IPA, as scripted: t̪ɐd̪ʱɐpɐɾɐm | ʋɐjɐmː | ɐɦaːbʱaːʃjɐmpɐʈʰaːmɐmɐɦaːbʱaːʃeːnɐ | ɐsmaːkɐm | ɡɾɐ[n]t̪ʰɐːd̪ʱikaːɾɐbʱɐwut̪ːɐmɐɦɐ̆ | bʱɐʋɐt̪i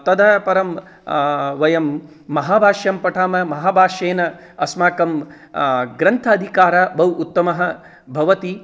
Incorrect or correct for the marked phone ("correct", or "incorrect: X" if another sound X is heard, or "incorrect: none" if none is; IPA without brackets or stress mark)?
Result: correct